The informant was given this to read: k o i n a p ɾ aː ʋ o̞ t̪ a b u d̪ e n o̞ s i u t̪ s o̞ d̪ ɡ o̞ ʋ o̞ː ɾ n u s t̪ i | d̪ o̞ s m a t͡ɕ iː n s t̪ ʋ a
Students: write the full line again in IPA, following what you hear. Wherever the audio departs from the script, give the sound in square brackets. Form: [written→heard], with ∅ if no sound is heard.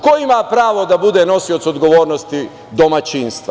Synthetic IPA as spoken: k o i [n→m] a p ɾ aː ʋ o̞ [t̪→d̪] a b u d̪ e n o̞ s i [u→o] t̪ s o̞ d̪ ɡ o̞ ʋ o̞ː ɾ n [u→o] s t̪ i | d̪ o̞ [s→∅] m a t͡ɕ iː n s t̪ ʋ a